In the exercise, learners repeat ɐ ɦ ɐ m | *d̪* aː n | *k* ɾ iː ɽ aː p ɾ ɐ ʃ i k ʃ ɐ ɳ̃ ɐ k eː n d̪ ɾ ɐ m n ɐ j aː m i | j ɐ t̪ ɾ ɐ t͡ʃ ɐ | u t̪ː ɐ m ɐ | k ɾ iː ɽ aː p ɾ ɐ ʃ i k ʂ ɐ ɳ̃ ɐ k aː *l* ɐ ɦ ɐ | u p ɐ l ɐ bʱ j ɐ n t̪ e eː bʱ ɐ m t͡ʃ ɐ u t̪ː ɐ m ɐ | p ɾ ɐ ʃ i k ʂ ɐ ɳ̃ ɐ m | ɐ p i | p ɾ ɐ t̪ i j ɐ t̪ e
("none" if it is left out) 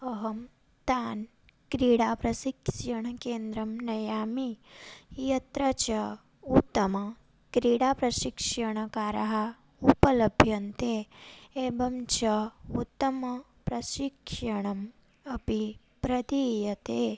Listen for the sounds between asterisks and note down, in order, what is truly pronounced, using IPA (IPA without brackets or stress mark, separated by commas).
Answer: t̪, k, ɾ